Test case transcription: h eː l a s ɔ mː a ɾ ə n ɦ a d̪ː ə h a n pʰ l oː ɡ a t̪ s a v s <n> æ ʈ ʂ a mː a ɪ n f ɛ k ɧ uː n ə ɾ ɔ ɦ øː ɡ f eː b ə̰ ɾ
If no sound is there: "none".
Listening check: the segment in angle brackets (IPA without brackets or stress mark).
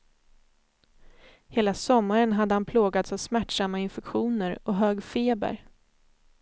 m